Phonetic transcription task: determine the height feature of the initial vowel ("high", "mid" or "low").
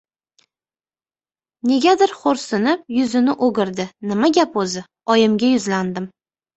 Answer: mid